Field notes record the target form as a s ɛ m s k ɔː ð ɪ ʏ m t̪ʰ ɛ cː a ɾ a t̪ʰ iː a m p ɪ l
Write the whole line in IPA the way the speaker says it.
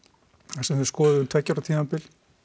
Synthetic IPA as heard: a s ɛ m s k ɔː ð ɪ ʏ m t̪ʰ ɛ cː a ɾ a t̪ʰ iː a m p ɪ l